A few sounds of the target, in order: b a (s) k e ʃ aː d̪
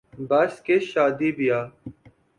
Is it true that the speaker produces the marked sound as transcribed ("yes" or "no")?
yes